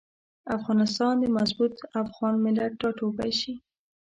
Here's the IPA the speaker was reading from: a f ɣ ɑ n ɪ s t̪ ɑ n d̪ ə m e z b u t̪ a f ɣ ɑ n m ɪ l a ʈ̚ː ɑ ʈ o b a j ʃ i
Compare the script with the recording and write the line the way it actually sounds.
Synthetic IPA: a f ɣ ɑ n ɪ s t̪ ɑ n d̪ ə m a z b u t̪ a f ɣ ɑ n m ɪ l a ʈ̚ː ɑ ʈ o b a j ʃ i